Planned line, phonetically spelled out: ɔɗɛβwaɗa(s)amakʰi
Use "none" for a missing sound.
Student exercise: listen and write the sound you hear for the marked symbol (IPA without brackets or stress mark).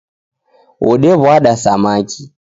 s